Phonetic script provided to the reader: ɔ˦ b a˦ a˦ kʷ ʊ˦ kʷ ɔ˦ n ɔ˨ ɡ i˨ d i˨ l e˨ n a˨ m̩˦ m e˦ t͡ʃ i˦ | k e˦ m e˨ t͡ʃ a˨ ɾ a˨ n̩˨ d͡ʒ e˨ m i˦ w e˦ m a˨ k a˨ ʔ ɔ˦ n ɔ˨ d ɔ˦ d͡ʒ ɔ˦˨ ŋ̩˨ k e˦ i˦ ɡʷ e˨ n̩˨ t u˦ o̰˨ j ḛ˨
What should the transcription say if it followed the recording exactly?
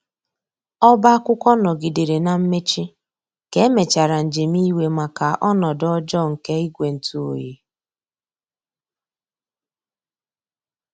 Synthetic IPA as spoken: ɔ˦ b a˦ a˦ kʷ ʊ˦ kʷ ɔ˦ n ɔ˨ ɡ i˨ d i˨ ɾ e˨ n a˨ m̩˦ m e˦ t͡ʃ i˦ | k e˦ m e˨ t͡ʃ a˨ ɾ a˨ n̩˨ d͡ʒ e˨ m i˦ w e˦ m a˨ k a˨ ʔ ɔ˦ n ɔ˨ d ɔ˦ d͡ʒ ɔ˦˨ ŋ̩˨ k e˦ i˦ ɡʷ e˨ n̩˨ t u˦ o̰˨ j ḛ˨

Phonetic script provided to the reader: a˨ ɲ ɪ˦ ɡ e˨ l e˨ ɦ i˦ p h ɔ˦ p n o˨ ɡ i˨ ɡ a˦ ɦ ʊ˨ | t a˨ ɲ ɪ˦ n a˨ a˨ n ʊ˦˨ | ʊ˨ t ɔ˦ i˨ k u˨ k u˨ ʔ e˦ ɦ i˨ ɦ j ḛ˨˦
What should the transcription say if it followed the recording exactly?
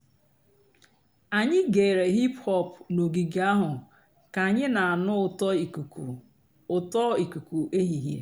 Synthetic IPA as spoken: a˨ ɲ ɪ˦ ɡ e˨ ɾ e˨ ɦ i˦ p h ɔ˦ p n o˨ ɡ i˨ ɡ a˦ ɦ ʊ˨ | k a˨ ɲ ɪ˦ n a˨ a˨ n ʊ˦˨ | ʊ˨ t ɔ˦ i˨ k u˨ k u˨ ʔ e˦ ɦ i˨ ɦ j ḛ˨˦

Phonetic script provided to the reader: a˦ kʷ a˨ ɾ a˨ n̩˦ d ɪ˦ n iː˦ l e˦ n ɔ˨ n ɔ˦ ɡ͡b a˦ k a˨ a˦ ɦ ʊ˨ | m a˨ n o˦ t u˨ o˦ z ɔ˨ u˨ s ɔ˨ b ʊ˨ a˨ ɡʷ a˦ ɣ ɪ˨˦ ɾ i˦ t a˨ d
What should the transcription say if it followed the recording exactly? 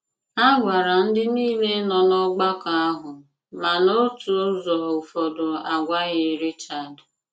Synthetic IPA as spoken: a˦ ɡʷ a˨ ɾ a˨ n̩˦ d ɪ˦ n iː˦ l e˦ n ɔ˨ n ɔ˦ ɡ͡b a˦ k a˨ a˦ ɦ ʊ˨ | m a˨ n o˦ t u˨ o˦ z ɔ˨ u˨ f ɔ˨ d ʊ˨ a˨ ɡʷ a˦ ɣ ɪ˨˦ ɾ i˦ t͡ʃ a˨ d

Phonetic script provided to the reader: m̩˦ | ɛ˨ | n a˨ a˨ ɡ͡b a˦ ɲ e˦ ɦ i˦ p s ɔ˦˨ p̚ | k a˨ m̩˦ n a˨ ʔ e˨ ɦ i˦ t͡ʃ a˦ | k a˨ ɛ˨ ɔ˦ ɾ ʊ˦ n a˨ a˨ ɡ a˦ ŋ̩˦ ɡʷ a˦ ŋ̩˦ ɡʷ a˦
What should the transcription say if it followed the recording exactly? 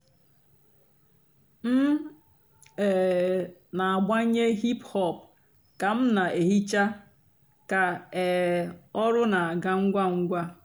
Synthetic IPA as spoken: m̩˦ | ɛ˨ | n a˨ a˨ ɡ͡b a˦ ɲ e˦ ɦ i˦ p h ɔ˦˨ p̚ | k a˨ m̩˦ n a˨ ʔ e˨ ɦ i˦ t͡ʃ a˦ | k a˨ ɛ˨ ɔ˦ ɾ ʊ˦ n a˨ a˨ ɡ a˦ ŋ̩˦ ɡʷ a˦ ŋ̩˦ ɡʷ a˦

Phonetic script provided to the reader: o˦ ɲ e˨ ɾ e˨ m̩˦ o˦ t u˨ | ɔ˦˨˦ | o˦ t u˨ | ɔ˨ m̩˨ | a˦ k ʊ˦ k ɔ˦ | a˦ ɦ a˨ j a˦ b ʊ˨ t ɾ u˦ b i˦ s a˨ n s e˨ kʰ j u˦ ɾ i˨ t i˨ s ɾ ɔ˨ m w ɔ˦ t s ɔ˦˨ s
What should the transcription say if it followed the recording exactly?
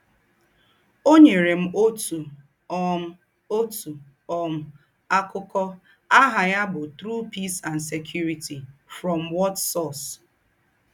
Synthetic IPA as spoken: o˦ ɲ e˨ ɾ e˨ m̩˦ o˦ t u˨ | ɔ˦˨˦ | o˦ t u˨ | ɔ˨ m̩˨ | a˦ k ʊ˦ k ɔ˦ | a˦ ɦ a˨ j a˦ b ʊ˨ t ɾ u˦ p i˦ s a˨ n s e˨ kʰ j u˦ ɾ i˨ t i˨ f ɾ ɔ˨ m w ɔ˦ t s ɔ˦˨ s

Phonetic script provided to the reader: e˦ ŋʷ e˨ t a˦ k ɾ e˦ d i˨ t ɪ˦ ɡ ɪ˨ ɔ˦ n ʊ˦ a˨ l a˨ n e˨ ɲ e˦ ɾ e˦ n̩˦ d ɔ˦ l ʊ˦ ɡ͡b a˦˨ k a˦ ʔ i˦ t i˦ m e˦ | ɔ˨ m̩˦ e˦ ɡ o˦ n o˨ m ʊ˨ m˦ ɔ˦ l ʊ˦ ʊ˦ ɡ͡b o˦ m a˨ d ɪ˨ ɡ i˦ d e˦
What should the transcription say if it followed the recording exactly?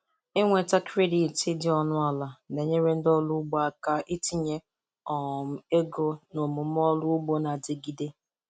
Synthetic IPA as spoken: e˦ ŋʷ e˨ t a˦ k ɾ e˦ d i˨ t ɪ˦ d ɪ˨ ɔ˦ n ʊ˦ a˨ l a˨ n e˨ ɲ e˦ ɾ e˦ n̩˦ d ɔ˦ l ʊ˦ ɡ͡b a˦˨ k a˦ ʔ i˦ t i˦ ɲ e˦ | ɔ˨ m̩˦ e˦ ɡ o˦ n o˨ m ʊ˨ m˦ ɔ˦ l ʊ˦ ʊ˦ ɡ͡b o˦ n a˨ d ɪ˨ ɡ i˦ d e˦

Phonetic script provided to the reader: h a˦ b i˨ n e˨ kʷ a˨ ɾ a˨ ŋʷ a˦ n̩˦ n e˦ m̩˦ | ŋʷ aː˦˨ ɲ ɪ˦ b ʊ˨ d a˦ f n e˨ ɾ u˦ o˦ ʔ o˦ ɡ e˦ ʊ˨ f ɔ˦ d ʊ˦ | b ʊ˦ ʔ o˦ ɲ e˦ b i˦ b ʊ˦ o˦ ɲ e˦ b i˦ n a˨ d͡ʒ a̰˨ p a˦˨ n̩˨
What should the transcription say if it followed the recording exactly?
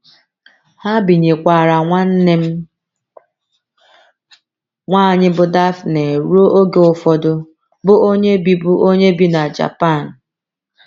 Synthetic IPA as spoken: h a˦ b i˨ ɲ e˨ kʷ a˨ ɾ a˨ ŋʷ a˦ n̩˦ n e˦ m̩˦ | ŋʷ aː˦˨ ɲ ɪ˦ b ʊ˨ d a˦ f n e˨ ɾ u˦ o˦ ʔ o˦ ɡ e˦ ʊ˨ f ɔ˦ d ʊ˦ | b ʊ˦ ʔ o˦ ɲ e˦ b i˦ b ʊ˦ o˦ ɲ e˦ b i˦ n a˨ d͡ʒ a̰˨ p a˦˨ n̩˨

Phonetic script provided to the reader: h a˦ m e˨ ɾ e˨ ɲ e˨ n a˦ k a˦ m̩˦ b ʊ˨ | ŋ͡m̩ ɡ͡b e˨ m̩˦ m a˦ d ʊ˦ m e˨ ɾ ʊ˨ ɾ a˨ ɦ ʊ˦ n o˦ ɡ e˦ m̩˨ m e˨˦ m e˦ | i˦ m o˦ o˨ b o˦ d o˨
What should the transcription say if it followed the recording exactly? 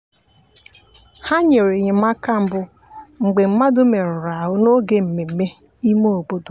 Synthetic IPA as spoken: h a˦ ɲ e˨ ɾ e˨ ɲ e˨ m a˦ k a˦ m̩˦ b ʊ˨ | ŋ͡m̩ ɡ͡b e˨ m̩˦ m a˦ d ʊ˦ m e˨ ɾ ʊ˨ ɾ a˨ ɦ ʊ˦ n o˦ ɡ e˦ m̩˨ m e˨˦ m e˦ | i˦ m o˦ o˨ b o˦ d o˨

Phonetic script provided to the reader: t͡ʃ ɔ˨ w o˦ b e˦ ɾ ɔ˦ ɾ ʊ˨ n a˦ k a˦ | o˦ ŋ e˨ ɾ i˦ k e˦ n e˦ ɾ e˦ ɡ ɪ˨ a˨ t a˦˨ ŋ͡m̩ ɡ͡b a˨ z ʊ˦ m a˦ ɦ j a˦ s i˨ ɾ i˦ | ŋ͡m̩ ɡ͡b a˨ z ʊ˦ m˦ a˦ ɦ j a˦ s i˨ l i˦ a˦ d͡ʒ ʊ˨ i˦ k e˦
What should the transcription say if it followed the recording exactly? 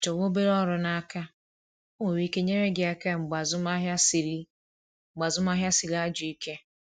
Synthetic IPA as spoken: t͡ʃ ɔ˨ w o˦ b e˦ ɾ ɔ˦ ɾ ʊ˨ n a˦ k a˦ | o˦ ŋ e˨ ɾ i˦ k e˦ ɲ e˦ ɾ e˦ ɡ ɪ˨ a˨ k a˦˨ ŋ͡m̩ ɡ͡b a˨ z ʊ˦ m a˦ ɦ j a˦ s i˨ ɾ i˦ | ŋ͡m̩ ɡ͡b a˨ z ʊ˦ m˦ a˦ ɦ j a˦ s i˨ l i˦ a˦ d͡ʒ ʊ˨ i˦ k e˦

